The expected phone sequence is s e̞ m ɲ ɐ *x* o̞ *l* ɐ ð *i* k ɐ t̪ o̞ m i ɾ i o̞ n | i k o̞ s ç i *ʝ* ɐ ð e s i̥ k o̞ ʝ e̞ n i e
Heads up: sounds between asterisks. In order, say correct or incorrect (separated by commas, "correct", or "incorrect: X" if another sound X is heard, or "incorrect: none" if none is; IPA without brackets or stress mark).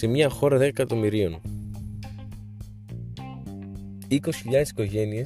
correct, incorrect: ɾ, incorrect: e, incorrect: ʎ